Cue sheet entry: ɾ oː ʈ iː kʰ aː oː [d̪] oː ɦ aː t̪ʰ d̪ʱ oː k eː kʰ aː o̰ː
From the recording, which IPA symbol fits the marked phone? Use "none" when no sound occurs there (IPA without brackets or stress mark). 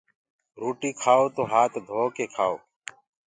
t̪